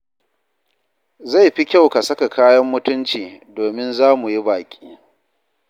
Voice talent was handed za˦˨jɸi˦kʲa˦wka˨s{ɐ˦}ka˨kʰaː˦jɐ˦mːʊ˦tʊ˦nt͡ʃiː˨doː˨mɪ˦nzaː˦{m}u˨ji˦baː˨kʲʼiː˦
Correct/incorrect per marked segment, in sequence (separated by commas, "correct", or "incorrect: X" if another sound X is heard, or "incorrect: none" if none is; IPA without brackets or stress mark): correct, correct